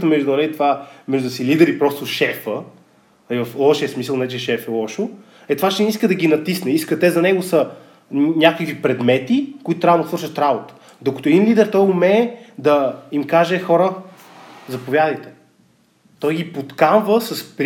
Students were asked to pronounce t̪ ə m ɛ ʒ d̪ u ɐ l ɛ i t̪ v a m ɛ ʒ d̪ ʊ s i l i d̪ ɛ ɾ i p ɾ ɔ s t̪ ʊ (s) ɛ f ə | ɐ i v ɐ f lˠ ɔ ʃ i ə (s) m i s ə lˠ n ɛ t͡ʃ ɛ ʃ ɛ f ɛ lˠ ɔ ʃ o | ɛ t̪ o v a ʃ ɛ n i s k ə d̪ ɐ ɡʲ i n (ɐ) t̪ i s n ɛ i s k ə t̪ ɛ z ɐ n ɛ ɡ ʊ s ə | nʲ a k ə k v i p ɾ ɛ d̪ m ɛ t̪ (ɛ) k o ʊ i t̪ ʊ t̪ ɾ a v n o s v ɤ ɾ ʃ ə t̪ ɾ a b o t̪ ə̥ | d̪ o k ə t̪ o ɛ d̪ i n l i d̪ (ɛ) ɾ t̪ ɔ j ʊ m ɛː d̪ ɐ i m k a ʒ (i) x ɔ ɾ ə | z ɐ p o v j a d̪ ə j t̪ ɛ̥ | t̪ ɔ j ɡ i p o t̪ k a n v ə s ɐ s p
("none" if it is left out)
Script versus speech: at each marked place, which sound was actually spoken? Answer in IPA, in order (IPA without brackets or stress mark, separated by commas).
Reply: ʃ, s, ɐ, i, ɛ, ɛ